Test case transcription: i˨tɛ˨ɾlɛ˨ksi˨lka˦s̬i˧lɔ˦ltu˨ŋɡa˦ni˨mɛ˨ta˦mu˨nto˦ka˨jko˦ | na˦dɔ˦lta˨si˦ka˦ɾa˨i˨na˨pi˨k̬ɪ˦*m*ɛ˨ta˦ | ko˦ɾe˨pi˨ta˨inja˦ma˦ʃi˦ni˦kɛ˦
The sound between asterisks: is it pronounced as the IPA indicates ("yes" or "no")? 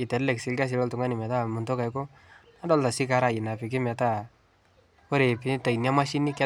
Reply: yes